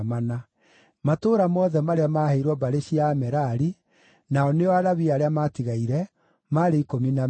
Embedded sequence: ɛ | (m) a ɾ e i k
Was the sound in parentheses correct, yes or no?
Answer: yes